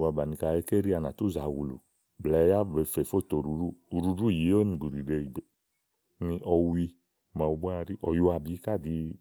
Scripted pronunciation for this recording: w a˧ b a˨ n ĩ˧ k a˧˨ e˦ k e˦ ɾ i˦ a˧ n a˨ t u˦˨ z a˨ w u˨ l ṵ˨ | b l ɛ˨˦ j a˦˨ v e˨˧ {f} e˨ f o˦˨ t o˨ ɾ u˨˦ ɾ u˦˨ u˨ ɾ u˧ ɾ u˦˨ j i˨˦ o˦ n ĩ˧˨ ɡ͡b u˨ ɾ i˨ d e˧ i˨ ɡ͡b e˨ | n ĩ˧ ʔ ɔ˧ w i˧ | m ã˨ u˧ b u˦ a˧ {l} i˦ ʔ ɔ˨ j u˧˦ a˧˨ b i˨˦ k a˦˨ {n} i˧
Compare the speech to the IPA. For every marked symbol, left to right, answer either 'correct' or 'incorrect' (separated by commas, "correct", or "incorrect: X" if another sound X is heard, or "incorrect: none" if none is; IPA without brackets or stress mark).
correct, incorrect: ɾ, incorrect: d